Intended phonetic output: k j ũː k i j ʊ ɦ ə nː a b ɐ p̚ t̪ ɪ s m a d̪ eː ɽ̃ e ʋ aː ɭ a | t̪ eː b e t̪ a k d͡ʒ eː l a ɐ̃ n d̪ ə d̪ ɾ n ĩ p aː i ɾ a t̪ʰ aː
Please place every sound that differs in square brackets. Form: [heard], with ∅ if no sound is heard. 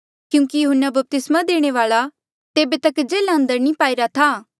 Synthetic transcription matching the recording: k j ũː k i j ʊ ɦ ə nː a b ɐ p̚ t̪ ɪ s m a d̪ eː ɽ̃ e ʋ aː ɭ a | t̪ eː b e t̪ [ɐ] k d͡ʒ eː l a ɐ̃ n d̪ ə [∅] ɾ n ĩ p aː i ɾ a t̪ʰ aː